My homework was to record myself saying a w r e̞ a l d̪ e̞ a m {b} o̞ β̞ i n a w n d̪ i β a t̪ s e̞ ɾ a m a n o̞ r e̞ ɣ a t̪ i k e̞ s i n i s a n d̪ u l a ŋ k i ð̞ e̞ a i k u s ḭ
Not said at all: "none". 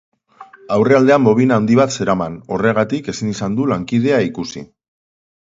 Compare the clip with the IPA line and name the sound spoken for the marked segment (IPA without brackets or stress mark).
b